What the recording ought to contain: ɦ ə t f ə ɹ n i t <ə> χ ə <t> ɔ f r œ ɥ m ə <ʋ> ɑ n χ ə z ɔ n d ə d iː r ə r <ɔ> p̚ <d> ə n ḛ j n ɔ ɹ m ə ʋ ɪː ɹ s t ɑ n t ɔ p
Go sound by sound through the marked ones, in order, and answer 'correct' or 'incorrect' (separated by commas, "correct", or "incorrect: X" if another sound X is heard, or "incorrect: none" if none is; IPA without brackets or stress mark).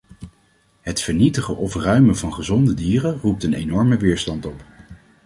correct, incorrect: ʔ, incorrect: v, incorrect: u, incorrect: t